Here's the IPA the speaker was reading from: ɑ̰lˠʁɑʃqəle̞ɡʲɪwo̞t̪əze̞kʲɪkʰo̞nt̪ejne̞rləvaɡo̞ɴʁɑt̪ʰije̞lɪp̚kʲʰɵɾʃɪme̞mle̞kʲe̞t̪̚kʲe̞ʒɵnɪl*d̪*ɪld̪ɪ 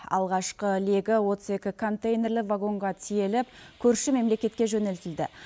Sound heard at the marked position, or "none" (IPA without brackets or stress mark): t̪